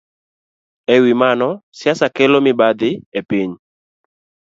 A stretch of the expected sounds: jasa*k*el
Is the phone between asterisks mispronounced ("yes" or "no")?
no